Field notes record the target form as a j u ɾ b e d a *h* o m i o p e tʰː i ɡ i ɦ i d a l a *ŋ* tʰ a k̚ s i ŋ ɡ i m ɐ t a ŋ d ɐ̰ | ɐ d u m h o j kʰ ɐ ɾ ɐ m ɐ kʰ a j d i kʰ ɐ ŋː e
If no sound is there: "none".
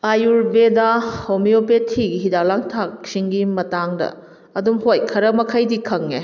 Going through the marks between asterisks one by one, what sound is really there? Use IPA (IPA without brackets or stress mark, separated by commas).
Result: h, ŋ